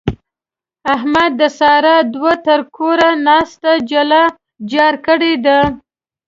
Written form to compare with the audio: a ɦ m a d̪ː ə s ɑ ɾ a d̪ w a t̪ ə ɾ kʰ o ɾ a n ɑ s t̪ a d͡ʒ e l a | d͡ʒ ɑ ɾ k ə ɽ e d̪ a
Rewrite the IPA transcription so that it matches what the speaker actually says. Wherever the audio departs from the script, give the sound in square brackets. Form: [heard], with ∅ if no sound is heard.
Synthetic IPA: a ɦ m a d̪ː ə s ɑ ɾ a d̪ w a t̪ ə ɾ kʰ o ɾ a n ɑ s t̪ a d͡ʒ [a] l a | d͡ʒ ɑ ɾ k ə ɽ e d̪ a